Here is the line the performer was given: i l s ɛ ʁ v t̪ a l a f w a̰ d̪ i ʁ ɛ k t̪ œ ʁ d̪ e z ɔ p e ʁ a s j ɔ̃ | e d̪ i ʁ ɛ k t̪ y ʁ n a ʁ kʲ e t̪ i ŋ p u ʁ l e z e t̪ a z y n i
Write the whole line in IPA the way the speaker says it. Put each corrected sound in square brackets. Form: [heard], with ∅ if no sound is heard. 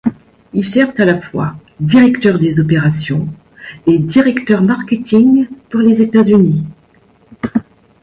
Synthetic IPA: i l s ɛ ʁ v t̪ a l a f w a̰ d̪ i ʁ ɛ k t̪ œ ʁ d̪ e z ɔ p e ʁ a s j ɔ̃ | e d̪ i ʁ ɛ k t̪ [œ] ʁ [m] a ʁ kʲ e t̪ i ŋ p u ʁ l e z e t̪ a z y n i